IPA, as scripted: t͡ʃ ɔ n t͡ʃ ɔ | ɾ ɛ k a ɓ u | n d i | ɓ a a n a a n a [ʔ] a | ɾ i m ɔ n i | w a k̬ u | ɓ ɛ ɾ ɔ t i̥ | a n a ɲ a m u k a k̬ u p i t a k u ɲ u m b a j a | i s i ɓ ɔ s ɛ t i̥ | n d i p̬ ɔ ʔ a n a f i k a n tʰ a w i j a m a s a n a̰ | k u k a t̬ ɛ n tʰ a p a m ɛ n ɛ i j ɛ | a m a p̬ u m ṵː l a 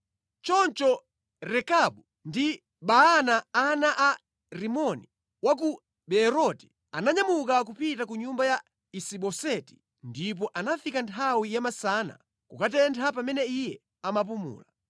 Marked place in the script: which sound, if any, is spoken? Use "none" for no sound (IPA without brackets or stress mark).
ʔ